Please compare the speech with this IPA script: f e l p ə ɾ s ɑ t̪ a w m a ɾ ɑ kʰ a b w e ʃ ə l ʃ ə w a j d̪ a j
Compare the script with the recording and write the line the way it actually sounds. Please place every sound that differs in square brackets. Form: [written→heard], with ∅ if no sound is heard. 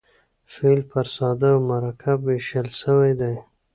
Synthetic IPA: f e l p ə ɾ s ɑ [t̪→d̪] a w m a ɾ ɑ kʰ a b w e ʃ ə l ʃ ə w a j d̪ a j